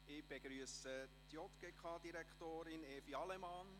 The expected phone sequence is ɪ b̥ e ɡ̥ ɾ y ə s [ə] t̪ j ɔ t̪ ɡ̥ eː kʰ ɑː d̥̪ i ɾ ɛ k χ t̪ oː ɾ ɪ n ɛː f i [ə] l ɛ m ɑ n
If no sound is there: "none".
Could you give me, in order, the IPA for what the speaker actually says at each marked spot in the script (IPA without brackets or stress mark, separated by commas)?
ə, ɑ